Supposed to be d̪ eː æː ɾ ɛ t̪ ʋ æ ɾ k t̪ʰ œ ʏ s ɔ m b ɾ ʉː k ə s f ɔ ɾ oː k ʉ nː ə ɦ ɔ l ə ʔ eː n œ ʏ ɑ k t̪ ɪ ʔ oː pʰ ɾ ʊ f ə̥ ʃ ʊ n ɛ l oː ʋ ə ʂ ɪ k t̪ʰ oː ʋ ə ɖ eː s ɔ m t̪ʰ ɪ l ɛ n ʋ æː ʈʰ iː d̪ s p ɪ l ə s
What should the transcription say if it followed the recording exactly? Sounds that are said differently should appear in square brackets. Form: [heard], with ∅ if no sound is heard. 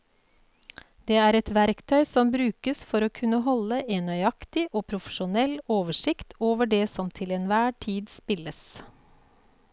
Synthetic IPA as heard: d̪ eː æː ɾ ɛ t̪ ʋ æ ɾ k t̪ʰ œ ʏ s ɔ m b ɾ ʉː k ə s f ɔ ɾ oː [kʰ] ʉ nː ə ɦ ɔ l ə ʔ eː n œ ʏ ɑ k t̪ ɪ ʔ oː pʰ ɾ ʊ f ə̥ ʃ ʊ n ɛ l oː ʋ ə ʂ ɪ k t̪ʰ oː ʋ ə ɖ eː s ɔ m t̪ʰ ɪ l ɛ n ʋ æː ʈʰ iː d̪ s p ɪ l ə s

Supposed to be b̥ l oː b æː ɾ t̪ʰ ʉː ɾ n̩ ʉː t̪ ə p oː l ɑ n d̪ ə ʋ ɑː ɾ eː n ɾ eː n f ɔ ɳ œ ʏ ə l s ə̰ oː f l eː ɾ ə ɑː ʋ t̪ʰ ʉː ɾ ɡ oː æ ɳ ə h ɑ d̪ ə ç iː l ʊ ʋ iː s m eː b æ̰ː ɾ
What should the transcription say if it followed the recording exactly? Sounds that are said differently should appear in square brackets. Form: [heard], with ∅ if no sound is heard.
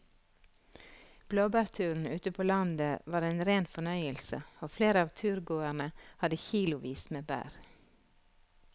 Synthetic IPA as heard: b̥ l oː b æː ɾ t̪ʰ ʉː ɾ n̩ ʉː t̪ ə [pʰ] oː l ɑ n d̪ ə ʋ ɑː ɾ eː n ɾ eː n f ɔ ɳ œ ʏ ə l s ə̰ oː f l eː ɾ ə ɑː ʋ t̪ʰ ʉː ɾ ɡ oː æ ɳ ə h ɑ d̪ ə ç iː l ʊ ʋ iː s m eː b æ̰ː ɾ

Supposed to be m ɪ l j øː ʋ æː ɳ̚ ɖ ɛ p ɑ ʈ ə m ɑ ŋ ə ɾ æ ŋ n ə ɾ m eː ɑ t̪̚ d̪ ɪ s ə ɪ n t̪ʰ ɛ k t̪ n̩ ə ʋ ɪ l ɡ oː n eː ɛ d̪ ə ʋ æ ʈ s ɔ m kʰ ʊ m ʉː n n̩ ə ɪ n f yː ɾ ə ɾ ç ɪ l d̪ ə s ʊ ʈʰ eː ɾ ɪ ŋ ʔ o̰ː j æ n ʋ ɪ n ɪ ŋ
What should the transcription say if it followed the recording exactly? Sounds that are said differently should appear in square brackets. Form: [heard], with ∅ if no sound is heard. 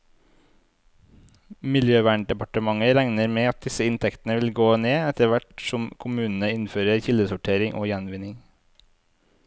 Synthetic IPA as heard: m ɪ l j øː ʋ æː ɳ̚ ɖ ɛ p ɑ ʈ ə m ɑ ŋ ə ɾ æ ŋ n ə ɾ m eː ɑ t̪̚ d̪ ɪ s ə ɪ n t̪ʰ ɛ k t̪ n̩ ə ʋ ɪ l ɡ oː n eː ɛ [t̪] ə ʋ æ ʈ s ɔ m kʰ ʊ m ʉː n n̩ ə ɪ n f [øː] ɾ ə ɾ ç ɪ l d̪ ə s ʊ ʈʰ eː ɾ ɪ ŋ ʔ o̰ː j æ n ʋ ɪ n ɪ ŋ

